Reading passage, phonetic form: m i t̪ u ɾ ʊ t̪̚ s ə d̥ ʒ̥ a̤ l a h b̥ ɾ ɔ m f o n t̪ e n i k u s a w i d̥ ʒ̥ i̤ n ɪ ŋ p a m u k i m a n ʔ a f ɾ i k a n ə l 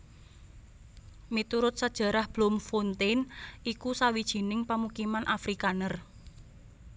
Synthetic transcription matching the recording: m i t̪ u ɾ ʊ t̪̚ s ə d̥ ʒ̥ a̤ ɾ a h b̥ l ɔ m f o n t̪ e n i k u s a w i d̥ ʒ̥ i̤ n ɪ ŋ p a m u k i m a n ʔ a f ɾ i k a n ə r

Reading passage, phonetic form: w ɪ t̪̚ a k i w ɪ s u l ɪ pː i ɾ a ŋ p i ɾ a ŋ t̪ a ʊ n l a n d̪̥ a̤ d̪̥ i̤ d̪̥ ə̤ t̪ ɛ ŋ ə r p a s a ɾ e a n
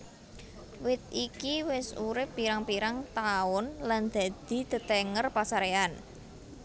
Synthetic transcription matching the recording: w ɪ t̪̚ i k i w ɪ s u ɾ ɪ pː i ɾ a ŋ p i ɾ a ŋ t̪ a ʊ n l a n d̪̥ a̤ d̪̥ i̤ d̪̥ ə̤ t̪ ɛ ŋ ə r p a s a ɾ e a n

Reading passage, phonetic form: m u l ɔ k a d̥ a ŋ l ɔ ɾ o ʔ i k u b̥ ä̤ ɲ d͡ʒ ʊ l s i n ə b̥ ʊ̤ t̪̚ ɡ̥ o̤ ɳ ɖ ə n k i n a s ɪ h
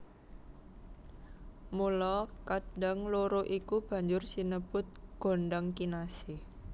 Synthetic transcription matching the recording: m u l ɔ k a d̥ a ŋ l o ɾ o ʔ i k u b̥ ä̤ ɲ d͡ʒ ʊ r s i n ə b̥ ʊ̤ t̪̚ ɡ̥ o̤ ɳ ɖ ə ŋ k i n a s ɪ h

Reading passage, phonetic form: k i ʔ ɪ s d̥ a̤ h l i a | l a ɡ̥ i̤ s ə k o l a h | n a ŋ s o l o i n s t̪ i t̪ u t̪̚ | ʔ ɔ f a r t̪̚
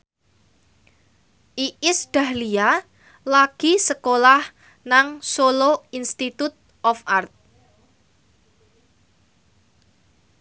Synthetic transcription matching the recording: ʔ i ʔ ɪ s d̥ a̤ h l i a | l a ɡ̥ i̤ s ə k o l a h | n a ŋ s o l o i n s t̪ i t̪ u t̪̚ | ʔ ɔ f a r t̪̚

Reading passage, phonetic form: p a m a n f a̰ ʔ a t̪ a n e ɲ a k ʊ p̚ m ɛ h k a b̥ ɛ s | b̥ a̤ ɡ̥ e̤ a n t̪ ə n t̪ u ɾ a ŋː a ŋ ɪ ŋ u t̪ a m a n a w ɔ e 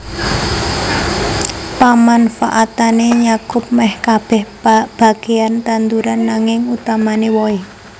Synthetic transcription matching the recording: p a m a n f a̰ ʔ a t̪ a n e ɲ a k ʊ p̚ m ɛ h k a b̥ ɛ h | b̥ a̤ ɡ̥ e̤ a n t̪ a n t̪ u ɾ a nː a ŋ ɪ ŋ u t̪ a m a n e w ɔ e

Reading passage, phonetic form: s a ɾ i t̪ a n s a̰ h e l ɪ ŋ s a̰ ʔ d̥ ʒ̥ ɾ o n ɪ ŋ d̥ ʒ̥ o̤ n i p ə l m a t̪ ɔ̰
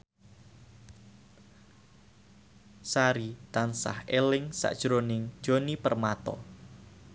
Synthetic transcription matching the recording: s a ɾ i t̪ a n s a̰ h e l ɪ ŋ s a̰ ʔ d̥ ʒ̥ ɾ o n ɪ ŋ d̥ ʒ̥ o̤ n i p ə r m a t̪ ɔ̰

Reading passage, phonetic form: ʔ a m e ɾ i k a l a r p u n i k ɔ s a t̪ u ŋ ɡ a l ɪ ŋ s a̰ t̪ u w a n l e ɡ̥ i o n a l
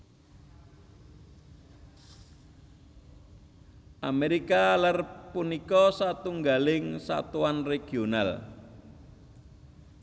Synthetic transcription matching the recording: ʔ a m e ɾ i k a l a r p u n i k ɔ s a t̪ u ŋ ɡ a l ɪ ŋ s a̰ t̪ u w a n r e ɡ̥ i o n a l

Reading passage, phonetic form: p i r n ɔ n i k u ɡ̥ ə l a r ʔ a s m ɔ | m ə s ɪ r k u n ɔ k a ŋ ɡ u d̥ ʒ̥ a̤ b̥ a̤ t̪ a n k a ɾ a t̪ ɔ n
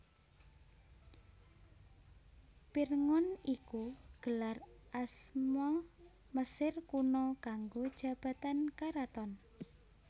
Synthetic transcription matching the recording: p i r ŋ ɔ n i k u ɡ̥ ə l a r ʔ a s m ɔ | m ə s ɪ r k u n ɔ k a ŋ ɡ o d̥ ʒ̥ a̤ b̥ a̤ t̪ a n k a ɾ a t̪ ɔ n

